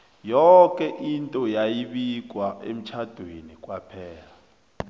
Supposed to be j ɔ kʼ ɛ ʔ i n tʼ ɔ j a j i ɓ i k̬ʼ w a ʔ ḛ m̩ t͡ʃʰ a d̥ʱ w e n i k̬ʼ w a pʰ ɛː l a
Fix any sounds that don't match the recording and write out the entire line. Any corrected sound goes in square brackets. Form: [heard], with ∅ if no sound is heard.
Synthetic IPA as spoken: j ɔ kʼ ɛ ʔ i n tʼ ɔ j a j i ɓ i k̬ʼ w a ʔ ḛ m̩ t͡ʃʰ a d̥ʱ w e n i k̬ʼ w a pʰ ɛː l a